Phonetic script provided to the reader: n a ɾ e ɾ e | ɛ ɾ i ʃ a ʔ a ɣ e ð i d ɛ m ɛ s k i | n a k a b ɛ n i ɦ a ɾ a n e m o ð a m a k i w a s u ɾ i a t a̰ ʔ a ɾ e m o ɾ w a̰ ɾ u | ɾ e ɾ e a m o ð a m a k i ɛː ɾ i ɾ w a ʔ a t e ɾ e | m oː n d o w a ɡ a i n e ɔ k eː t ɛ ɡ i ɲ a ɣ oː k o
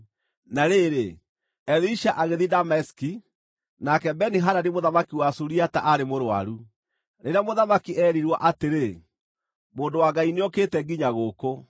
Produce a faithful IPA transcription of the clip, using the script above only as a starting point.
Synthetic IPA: n a ɾ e ɾ e | ɛ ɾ i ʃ a ʔ a ɣ e ð i d a m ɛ s k i | n a k ɛ b ɛ n i ɦ a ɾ a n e m o ð a m a k i w a s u ɾ i a t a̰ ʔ a ɾ e m o ɾ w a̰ ɾ u | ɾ e ɾ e a m o ð a m a k i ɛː ɾ i ɾ w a ʔ a t e ɾ e | m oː n d o w a ɡ a i n e ɔ k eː t ɛ ɡ i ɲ a ɣ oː k o